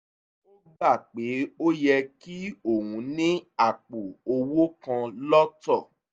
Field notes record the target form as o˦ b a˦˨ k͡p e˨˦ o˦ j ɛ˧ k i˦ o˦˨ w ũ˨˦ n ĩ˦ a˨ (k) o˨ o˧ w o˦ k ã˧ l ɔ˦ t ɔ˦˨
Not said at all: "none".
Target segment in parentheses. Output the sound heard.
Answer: k͡p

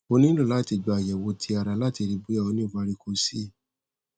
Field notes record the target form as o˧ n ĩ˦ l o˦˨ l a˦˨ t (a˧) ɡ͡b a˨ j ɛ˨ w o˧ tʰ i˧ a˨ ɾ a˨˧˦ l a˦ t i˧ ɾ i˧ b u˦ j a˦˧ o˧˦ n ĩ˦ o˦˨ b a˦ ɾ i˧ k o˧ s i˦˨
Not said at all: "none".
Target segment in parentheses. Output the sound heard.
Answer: i˧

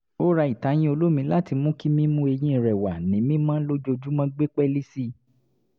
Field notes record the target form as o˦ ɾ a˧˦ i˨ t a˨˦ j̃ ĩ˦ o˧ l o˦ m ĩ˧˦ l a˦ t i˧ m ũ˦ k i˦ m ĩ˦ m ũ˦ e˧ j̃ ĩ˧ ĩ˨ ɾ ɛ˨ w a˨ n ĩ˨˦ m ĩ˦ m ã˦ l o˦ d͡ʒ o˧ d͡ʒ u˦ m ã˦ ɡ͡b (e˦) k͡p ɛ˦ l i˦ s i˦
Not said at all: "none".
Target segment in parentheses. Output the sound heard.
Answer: e˦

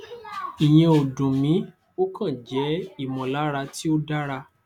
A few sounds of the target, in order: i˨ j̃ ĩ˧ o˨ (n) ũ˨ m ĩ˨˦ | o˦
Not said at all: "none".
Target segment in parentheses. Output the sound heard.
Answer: d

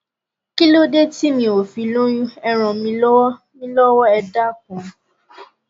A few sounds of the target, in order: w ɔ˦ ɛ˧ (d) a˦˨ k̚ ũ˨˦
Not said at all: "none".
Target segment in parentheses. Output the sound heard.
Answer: d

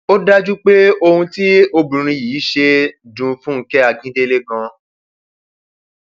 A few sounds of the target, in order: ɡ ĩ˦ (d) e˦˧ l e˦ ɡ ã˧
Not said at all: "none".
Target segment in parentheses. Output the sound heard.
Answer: d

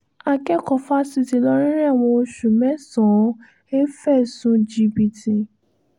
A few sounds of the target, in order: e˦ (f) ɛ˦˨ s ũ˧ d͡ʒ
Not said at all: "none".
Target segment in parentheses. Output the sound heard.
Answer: f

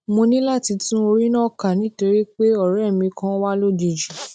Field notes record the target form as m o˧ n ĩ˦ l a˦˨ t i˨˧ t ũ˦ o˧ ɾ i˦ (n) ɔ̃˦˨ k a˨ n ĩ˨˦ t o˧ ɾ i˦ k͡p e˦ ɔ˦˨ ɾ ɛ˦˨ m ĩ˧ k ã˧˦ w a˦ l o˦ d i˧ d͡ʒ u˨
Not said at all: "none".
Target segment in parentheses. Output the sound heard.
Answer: n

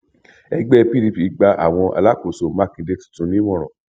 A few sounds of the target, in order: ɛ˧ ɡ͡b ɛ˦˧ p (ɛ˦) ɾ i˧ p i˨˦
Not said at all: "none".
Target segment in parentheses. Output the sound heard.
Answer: i˦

